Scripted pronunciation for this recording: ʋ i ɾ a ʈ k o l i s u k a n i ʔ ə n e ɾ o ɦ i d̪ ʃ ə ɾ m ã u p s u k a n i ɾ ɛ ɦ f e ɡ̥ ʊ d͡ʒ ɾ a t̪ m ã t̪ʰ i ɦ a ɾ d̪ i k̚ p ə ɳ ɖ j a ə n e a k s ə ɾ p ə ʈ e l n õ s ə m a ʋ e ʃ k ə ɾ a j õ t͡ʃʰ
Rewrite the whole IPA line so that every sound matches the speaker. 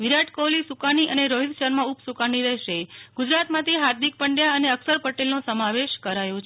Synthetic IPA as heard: ʋ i ɾ a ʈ k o l i s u k a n i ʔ ə n e ɾ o ɦ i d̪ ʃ ə ɾ m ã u p s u k a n i ɾ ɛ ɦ ʃ e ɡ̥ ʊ d͡ʒ ɾ a t̪ m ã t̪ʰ i ɦ a ɾ d̪ i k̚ p ə ɳ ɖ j a ə n e ə k s ə ɾ p ə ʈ e l n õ s ə m a ʋ e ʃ k ə ɾ a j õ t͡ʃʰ

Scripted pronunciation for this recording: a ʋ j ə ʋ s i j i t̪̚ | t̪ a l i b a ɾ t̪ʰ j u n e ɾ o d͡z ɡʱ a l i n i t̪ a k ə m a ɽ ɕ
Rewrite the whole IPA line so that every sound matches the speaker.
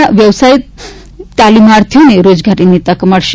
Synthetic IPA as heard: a ʋ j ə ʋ s a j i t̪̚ | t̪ a l i m a ɾ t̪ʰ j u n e ɾ o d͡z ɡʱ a ɾ i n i t̪ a k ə m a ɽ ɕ

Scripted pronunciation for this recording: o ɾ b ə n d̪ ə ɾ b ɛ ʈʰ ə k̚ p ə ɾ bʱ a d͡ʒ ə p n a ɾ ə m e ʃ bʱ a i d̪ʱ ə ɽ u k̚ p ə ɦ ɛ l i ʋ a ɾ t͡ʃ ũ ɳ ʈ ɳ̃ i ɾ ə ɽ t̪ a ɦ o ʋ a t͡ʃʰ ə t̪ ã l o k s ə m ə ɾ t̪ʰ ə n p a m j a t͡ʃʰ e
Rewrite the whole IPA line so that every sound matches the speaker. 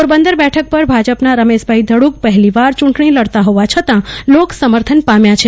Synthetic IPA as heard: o ɾ b ə n d̪ ə ɾ b ɛ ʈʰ ə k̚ p ə ɾ bʱ a d͡ʒ ə p n a ɾ ə m e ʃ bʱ a i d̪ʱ ə ɽ u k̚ p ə ɦ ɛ l i ʋ a ɾ t͡ʃ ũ ɳ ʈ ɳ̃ i l ə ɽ t̪ a ɦ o ʋ a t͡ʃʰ ə t̪ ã l o k s ə m ə ɾ t̪ʰ ə n p a m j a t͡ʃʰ e

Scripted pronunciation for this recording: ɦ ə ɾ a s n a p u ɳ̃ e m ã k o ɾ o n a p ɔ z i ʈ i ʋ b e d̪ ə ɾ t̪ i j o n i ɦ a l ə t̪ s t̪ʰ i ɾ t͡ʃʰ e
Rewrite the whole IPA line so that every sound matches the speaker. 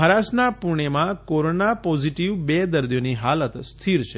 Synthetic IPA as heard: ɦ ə ɾ a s n a p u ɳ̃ e m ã k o ɾ o n a p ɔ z i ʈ i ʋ b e d̪ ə ɾ d̪ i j o n i ɦ a l ə t̪ s t̪ʰ i ɾ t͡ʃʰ e

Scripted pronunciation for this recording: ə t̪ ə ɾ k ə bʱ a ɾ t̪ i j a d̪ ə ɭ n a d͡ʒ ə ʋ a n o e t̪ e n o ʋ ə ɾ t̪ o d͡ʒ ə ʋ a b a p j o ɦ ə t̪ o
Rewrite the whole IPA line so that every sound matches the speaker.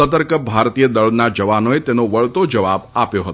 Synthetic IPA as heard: ə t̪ ə ɾ k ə bʱ a ɾ t̪ i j ə d̪ ə ɭ n a d͡ʒ ə ʋ a n o e t̪ e n o ʋ ə ɭ t̪ o d͡ʒ ə ʋ a b a p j o ɦ ə t̪ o

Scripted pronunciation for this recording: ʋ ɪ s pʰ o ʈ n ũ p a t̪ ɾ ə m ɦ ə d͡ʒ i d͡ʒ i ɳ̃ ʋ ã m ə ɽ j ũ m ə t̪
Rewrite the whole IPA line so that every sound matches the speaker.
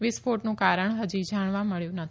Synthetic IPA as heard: ʋ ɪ s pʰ o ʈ n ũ k a ɾ ə ɳ ɦ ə d͡ʒ i d͡ʒ a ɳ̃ ʋ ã m ə ɭ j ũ n ə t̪

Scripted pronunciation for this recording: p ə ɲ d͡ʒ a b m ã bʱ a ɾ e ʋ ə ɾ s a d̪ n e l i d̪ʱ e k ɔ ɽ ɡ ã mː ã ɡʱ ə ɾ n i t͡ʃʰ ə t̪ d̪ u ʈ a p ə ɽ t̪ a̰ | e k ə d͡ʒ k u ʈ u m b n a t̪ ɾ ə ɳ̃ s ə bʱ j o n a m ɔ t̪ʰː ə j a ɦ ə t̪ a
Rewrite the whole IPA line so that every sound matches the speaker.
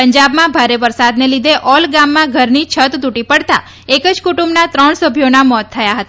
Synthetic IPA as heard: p ə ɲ d͡ʒ a b m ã bʱ a ɾ e ʋ ə ɾ s a d̪ n e l i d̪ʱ e ʔ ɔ l ɡ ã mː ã ɡʱ ə ɾ n i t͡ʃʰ ə t̪ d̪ u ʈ i p ə ɽ t̪ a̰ | e k ə d͡ʒ k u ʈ u m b n a t̪ ɾ ə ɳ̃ s ə bʱ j o n a m ɔ t̪ʰː ə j a ɦ ə t̪ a

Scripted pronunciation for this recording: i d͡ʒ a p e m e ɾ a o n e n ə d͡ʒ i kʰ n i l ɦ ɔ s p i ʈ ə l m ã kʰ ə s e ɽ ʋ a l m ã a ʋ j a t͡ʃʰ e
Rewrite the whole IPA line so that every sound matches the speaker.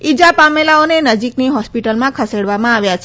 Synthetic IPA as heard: i d͡ʒ a p a m e l a o n e n ə d͡ʒ i k n i ɦ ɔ s p i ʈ ə l m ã kʰ ə s e ɽ ʋ a m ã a ʋ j a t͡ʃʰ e

